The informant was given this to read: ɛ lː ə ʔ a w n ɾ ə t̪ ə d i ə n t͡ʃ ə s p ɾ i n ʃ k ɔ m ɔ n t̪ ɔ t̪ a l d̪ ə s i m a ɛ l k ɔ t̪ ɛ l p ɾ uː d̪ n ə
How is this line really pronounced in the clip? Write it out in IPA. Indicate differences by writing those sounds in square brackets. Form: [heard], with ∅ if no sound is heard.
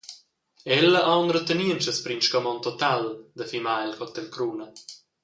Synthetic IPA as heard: ɛ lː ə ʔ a w n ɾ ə t̪ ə [n] i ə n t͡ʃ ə s p ɾ i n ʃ k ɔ m ɔ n t̪ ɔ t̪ a l d̪ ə [f] i m a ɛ l k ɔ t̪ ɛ l [k] ɾ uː [∅] n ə